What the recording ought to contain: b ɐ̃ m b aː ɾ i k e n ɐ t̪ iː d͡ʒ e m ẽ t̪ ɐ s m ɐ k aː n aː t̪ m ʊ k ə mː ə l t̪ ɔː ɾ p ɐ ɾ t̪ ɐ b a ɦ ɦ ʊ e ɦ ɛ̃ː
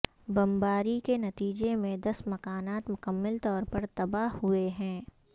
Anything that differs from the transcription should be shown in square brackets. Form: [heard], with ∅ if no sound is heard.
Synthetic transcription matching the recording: b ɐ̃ m b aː ɾ i k e n ɐ t̪ iː d͡ʒ e m ẽ [d̪] ɐ s m ɐ k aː n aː t̪ m ʊ k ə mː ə l t̪ ɔː ɾ p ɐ ɾ t̪ ɐ b a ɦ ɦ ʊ e ɦ ɛ̃ː